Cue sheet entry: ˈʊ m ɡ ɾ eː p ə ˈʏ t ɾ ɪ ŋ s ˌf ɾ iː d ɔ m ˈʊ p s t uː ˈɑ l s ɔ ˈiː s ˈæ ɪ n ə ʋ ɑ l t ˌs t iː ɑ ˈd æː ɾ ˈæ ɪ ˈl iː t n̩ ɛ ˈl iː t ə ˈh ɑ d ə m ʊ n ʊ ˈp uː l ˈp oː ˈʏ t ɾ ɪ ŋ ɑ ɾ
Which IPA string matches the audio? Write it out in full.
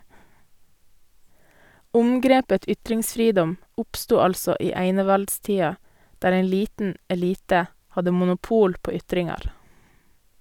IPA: ˈʊ m ɡ ɾ eː p ə ˈʏ t ɾ ɪ ŋ s ˌf ɾ iː d ɔ m ˈʊ p s t uː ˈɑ l s ɔ ˈiː ˈæ ɪ n ə ʋ ɑ l t ˌs t iː ɑ ˈd æː ɾ ˈæ ɪ ˈl iː t n̩ ɛ ˈl iː t ə ˈh ɑ d ə m ʊ n ʊ ˈp uː l ˈp oː ˈʏ t ɾ ɪ ŋ ɑ ɾ